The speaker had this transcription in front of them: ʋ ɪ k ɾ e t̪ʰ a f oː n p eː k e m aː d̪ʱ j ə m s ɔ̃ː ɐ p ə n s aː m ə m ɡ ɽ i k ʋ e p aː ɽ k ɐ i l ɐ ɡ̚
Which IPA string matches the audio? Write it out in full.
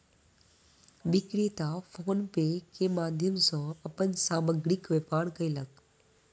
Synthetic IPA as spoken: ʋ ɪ k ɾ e t̪ a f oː n p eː k e m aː d̪ʱ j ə m s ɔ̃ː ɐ p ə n s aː m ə ɡ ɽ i k ʋ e p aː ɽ k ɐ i l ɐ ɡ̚